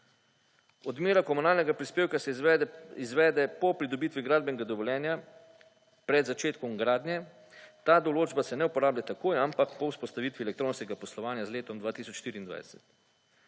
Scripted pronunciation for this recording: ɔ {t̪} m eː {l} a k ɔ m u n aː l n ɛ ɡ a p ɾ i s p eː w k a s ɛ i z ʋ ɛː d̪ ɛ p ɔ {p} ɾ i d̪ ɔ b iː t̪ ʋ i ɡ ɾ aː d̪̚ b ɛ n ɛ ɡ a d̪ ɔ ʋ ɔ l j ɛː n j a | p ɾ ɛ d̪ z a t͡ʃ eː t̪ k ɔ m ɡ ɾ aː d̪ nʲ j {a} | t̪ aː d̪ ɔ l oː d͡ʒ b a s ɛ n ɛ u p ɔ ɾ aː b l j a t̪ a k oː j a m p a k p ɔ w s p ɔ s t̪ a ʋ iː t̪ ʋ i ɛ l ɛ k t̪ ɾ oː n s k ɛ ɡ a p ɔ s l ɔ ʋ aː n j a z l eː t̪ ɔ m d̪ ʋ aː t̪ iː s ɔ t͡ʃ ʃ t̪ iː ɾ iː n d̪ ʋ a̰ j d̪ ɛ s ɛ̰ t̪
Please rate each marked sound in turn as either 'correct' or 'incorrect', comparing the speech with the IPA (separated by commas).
incorrect, incorrect, correct, incorrect